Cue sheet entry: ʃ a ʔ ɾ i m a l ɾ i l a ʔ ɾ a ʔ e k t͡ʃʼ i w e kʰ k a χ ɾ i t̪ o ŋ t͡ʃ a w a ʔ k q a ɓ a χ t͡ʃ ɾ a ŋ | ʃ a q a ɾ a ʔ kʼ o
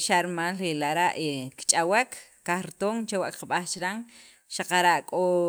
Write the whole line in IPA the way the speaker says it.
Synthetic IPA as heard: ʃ a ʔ ɾ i m a l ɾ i l a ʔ ɾ a ʔ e k t͡ʃʼ a w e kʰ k a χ ɾ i t̪ o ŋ t͡ʃ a w a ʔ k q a ɓ a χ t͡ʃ ɾ a ŋ | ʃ a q a ɾ a ʔ kʼ o